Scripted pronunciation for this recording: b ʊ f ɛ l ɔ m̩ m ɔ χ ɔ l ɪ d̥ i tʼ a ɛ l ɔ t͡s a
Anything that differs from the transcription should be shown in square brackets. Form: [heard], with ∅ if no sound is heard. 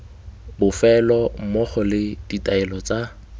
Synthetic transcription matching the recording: b ʊ f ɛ l ɔ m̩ m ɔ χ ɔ l ɪ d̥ i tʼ a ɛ l ɔ t͡s a